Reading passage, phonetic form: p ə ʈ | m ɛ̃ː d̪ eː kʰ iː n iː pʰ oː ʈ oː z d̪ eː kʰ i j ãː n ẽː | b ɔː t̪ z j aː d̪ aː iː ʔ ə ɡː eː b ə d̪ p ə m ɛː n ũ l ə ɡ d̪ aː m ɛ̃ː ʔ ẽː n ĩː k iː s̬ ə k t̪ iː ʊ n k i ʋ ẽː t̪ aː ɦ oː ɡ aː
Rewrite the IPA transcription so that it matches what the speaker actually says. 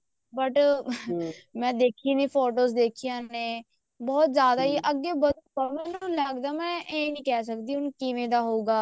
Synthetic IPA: b ə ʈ | m ɛ̃ː d̪ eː kʰ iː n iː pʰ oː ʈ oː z d̪ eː kʰ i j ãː n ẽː | b ɔː t̪ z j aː d̪ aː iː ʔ ə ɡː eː b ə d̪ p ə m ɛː n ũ l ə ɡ d̪ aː m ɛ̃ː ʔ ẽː n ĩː k ɛː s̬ ə k d̪ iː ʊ n k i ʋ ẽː d̪ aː ɦ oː ɡ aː